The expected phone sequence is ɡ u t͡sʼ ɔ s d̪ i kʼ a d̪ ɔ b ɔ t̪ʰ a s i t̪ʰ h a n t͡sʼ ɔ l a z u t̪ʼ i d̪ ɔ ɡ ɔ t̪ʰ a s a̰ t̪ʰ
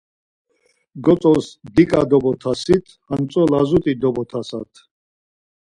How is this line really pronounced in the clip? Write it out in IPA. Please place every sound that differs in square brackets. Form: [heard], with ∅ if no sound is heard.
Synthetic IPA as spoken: ɡ [ɔ] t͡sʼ ɔ s d̪ i kʼ a d̪ ɔ b ɔ t̪ʰ a s i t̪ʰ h a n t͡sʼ ɔ l a z u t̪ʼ i d̪ ɔ [b] ɔ t̪ʰ a s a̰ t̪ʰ